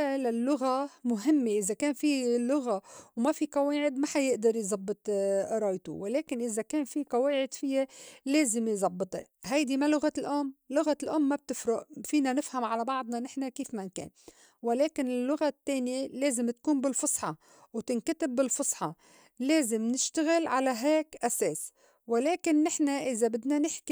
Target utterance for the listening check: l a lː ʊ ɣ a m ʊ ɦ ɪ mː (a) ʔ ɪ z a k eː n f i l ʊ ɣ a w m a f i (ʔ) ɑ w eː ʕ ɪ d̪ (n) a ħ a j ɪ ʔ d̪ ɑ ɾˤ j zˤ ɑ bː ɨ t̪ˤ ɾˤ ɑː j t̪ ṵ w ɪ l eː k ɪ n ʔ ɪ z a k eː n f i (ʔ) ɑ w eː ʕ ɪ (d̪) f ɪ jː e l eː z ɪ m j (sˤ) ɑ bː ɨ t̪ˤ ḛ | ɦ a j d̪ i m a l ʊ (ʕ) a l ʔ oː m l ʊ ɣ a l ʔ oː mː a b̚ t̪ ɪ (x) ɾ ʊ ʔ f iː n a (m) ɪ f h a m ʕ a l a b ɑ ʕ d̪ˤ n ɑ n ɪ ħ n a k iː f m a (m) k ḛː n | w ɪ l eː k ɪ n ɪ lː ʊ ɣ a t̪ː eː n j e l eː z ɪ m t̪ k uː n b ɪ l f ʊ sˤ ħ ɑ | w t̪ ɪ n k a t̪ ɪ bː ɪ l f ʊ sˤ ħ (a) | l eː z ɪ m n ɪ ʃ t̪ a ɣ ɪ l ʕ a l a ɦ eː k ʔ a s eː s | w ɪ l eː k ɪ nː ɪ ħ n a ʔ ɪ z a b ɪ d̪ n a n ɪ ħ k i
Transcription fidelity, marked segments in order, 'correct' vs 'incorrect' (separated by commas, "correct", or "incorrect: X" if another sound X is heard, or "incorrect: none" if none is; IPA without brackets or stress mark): incorrect: e, incorrect: q, incorrect: m, incorrect: q, correct, incorrect: zˤ, incorrect: ɣ, incorrect: f, incorrect: n, incorrect: n, incorrect: ɑ